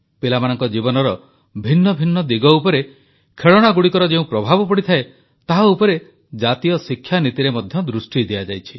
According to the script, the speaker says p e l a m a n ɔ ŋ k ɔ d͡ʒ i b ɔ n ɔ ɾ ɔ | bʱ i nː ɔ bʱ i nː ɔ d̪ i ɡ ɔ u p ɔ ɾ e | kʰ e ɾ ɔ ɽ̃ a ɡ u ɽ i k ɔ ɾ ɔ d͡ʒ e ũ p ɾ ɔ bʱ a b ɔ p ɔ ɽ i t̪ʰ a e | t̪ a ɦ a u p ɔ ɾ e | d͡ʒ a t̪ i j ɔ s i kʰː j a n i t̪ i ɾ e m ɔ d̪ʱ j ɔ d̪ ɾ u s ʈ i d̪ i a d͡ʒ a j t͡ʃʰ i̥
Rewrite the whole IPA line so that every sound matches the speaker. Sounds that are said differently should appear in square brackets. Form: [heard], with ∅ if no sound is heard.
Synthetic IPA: p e l a m a n ɔ ŋ k ɔ d͡ʒ i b ɔ n ɔ ɾ ɔ | bʱ i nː ɔ bʱ i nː ɔ d̪ i ɡ ɔ u p ɔ ɾ e | kʰ e [ɭ] ɔ ɽ̃ a ɡ u ɽ i k ɔ ɾ ɔ d͡ʒ e ũ p ɾ ɔ bʱ a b ɔ p ɔ ɽ i t̪ʰ a e | t̪ a ɦ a u p ɔ ɾ e | d͡ʒ a t̪ i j ɔ s i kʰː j a n i t̪ i ɾ e m ɔ d̪ʱ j ɔ d̪ ɾ u s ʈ i d̪ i a d͡ʒ a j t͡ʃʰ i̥